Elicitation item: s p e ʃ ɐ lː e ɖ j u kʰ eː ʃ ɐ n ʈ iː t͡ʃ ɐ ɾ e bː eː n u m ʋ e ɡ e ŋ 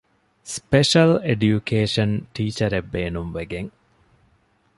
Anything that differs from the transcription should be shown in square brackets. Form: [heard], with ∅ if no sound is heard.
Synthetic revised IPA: s p e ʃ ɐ [l] e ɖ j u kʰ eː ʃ ɐ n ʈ iː t͡ʃ ɐ ɾ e bː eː n u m ʋ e ɡ e ŋ